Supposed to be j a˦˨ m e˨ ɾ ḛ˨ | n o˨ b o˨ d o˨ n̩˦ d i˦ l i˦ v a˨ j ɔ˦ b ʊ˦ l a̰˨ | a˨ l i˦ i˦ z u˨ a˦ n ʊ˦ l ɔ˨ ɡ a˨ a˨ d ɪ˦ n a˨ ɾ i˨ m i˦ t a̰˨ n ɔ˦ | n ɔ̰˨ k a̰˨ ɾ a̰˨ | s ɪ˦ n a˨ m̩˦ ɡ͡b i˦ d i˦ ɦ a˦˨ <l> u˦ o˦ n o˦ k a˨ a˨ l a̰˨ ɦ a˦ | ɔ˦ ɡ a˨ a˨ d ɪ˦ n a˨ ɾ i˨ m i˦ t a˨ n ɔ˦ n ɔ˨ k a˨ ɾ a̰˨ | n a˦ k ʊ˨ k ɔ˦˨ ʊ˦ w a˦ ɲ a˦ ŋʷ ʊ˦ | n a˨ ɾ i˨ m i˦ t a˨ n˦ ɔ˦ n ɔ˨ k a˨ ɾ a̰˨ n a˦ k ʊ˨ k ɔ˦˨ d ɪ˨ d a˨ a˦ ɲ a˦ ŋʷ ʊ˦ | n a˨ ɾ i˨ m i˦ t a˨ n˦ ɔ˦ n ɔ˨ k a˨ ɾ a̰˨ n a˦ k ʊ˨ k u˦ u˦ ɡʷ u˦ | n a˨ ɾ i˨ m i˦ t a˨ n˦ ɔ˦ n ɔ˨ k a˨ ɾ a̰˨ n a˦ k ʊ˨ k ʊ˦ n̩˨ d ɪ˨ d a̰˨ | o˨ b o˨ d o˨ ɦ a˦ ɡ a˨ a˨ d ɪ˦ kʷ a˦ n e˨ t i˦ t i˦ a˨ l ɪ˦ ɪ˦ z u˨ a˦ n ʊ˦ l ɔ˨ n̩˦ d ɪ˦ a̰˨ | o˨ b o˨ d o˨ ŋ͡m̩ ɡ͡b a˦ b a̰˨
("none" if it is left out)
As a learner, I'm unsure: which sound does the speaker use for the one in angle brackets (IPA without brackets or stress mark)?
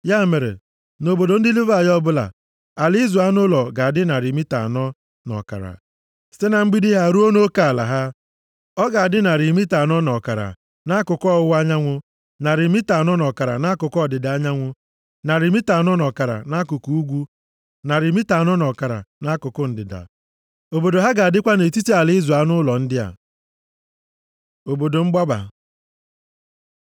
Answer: ɾ